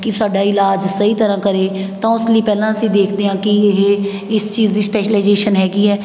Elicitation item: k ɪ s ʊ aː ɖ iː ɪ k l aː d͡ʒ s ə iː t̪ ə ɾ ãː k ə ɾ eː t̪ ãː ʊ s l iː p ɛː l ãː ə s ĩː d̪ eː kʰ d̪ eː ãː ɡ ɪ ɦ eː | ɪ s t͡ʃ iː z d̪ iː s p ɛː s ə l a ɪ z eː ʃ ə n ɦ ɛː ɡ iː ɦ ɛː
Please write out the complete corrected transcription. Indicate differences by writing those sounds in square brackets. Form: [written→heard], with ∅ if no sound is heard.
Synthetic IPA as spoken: k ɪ s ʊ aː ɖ [iː→aː] ɪ [k→∅] l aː d͡ʒ s ə iː t̪ ə ɾ ãː k ə ɾ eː t̪ ãː ʊ s l iː p ɛː l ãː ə s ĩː d̪ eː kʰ d̪ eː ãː [ɡ→k] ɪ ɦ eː | ɪ s t͡ʃ iː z d̪ iː s p ɛː [s→ʃ] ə l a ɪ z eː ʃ ə n ɦ ɛː ɡ iː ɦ ɛː

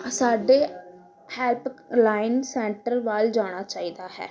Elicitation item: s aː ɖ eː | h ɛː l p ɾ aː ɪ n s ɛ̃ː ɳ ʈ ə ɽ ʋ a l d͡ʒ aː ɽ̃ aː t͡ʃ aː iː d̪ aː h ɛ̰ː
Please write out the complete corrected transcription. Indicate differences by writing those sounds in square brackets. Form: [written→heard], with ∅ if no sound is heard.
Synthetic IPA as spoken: s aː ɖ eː | h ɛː l p [ɾ→l] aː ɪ n s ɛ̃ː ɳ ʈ ə [ɽ→ɾ] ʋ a l d͡ʒ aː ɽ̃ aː t͡ʃ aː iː d̪ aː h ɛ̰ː

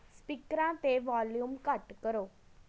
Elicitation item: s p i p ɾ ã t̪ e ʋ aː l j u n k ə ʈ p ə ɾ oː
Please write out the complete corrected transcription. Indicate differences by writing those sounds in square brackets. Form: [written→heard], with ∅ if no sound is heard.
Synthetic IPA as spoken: s p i [p→k] ɾ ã t̪ e ʋ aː l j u [n→m] k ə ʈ [p→k] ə ɾ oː

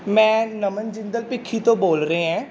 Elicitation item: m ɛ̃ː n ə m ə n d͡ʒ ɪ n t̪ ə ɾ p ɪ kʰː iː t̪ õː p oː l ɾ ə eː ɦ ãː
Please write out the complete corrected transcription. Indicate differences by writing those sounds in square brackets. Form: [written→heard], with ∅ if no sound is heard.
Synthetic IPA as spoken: m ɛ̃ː n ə m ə n d͡ʒ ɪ n [t̪→d̪] ə [ɾ→l] p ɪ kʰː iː t̪ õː [p→b] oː l ɾ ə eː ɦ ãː

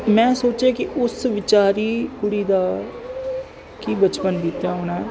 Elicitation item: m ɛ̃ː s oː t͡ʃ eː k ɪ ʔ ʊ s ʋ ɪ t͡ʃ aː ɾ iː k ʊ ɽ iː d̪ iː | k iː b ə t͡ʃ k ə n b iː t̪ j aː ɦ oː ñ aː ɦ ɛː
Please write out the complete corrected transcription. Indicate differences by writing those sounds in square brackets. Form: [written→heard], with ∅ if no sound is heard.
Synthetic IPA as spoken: m ɛ̃ː s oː t͡ʃ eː k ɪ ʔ ʊ s ʋ ɪ t͡ʃ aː ɾ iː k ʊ ɽ iː d̪ [iː→aː] | k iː b ə t͡ʃ [k→p] ə n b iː t̪ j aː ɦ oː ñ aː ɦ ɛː

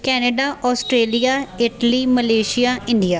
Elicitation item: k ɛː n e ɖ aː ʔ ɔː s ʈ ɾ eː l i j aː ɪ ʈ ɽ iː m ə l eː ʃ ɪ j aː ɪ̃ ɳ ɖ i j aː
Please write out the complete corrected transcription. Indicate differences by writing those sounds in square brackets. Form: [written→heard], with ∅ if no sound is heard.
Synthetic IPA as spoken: k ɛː n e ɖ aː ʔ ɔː s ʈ ɾ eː l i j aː ɪ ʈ [ɽ→l] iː m ə l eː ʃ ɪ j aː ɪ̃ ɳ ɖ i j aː

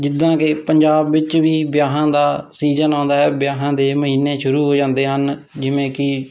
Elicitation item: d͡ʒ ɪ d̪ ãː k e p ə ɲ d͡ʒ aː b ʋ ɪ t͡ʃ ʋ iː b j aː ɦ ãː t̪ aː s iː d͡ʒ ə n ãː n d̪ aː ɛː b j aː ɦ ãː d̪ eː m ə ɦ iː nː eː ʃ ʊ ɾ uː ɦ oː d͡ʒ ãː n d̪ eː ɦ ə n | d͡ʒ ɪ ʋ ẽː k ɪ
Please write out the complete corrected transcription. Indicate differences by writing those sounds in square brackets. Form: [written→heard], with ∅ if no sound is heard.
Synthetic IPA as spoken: d͡ʒ ɪ d̪ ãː k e p ə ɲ d͡ʒ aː b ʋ ɪ t͡ʃ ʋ iː b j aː ɦ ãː [t̪→d̪] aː s iː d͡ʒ ə n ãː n d̪ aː ɛː b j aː ɦ ãː d̪ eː m ə ɦ iː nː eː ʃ ʊ ɾ uː ɦ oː d͡ʒ ãː n d̪ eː ɦ ə n | d͡ʒ ɪ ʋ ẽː k ɪ

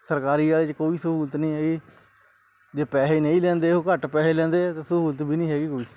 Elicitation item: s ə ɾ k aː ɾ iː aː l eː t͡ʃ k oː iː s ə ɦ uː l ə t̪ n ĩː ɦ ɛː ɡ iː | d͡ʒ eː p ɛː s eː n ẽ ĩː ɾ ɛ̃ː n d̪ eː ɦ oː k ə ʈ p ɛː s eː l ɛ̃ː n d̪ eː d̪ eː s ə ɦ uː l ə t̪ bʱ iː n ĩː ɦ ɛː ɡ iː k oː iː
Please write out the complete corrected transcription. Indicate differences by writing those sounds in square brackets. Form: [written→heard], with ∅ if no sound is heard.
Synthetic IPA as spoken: s ə ɾ k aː ɾ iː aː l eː t͡ʃ k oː iː s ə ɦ uː l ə t̪ n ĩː ɦ ɛː ɡ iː | d͡ʒ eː p ɛː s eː n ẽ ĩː [ɾ→l] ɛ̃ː n d̪ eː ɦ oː k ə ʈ p ɛː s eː l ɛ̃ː n d̪ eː [d̪→t̪] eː s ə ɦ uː l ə t̪ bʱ iː n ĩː ɦ ɛː ɡ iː k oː iː

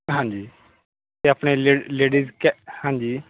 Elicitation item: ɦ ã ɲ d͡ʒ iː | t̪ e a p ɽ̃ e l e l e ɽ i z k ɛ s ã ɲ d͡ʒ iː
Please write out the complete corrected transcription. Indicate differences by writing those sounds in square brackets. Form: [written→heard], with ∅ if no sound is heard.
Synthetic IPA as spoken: ɦ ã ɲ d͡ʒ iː | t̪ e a p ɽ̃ e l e l e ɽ i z k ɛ [s→h] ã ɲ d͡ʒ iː

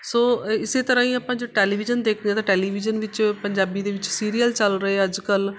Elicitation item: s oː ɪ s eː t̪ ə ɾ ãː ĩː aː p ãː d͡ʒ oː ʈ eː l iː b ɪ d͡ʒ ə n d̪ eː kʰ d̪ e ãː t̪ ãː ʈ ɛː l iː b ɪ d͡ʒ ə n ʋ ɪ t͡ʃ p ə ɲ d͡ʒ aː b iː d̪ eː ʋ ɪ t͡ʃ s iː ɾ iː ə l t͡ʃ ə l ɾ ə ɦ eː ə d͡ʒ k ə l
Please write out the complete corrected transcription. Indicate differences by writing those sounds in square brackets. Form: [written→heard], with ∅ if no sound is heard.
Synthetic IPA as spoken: s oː ɪ s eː t̪ ə ɾ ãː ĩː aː p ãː d͡ʒ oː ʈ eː l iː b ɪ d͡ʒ ə n d̪ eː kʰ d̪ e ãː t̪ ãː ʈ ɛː l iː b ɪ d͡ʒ ə n ʋ ɪ t͡ʃ p ə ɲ d͡ʒ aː b iː d̪ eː ʋ ɪ t͡ʃ s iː ɾ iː ə l t͡ʃ ə l ɾ ə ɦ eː ə d͡ʒ k ə l

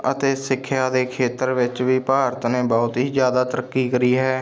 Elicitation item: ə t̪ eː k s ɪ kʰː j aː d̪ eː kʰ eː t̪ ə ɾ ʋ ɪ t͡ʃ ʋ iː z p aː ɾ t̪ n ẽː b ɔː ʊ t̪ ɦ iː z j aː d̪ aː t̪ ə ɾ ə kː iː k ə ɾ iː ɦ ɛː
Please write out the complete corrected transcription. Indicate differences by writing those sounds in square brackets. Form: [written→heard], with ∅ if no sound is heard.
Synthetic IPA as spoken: ə t̪ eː [k→∅] s ɪ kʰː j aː d̪ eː kʰ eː t̪ ə ɾ ʋ ɪ t͡ʃ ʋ iː [z→∅] p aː ɾ t̪ n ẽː b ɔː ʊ t̪ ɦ iː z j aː d̪ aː t̪ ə ɾ ə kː iː k ə ɾ iː ɦ ɛː

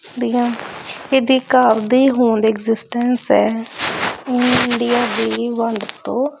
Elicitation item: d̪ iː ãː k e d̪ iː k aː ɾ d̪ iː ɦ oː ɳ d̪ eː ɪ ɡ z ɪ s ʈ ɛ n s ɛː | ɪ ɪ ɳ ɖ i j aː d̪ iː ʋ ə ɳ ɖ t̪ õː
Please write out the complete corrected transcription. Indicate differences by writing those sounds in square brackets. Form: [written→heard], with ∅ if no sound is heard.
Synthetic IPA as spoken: d̪ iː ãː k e d̪ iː k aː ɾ d̪ iː ɦ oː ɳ d̪ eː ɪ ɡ z ɪ s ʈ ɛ n s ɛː | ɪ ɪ ɳ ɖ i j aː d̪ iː ʋ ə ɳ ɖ t̪ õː

